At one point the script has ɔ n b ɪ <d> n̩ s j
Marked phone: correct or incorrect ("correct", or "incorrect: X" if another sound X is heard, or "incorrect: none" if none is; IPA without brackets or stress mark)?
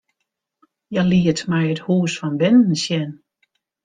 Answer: incorrect: n